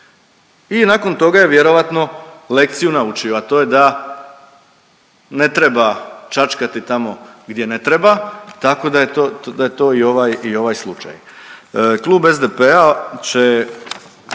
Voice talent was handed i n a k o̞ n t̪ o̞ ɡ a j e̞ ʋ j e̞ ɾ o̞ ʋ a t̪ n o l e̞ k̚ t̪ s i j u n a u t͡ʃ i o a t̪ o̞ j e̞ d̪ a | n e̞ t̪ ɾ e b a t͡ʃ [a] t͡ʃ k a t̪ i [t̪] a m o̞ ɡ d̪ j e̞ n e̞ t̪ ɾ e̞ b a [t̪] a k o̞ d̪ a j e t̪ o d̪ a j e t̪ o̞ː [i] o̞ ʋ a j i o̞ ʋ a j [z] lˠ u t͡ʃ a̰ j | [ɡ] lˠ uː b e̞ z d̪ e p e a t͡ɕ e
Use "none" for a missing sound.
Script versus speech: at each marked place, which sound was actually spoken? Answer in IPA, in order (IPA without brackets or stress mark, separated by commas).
a, t̪, t̪, i, s, k